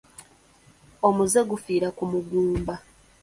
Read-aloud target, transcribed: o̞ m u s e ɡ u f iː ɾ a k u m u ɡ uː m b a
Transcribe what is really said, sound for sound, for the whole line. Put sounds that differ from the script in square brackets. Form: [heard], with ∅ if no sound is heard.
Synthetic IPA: o̞ m u [z] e ɡ u f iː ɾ a k u m u ɡ uː m b a